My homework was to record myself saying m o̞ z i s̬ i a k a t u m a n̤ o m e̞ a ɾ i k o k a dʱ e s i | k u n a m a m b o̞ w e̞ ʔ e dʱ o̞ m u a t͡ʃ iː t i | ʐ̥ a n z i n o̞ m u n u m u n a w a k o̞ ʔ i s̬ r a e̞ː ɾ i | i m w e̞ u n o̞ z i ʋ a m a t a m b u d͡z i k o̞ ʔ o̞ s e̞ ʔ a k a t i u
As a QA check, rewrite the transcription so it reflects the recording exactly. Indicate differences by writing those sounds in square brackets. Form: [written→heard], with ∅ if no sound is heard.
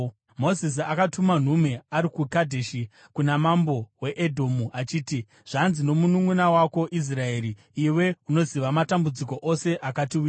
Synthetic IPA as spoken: m o̞ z i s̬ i a k a t u m a n̤ [o→u] m e̞ a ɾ i k [o→u] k a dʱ e [s→ʃ] i | k u n a m a m b o̞ w e̞ ʔ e dʱ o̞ m u a t͡ʃ iː t i | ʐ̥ a n z i n o̞ m u n u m u n a w a k o̞ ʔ i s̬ r a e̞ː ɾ i | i [m→∅] w e̞ u n o̞ z i ʋ a m a t a m b u d͡z i k o̞ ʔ o̞ s e̞ ʔ a k a t i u